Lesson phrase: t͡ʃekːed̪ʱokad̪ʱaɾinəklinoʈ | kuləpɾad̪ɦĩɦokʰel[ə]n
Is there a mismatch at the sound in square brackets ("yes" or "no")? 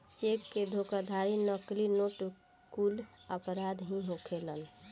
no